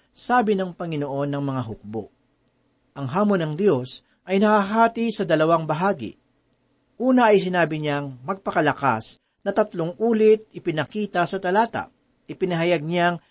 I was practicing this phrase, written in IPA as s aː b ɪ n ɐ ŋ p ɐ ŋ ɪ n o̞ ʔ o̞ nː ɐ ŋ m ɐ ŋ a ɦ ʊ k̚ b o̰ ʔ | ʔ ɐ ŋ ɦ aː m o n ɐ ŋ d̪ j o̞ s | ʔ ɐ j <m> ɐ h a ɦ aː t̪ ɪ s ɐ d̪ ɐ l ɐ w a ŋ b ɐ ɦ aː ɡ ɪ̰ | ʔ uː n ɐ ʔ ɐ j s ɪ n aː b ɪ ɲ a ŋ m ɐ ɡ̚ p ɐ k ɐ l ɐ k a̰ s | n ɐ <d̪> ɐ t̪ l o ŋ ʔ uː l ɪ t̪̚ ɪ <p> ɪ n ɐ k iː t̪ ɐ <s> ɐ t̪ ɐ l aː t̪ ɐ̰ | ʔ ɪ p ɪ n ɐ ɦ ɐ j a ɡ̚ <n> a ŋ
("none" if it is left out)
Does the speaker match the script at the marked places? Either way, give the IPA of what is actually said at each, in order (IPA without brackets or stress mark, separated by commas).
n, t̪, p, s, ɲ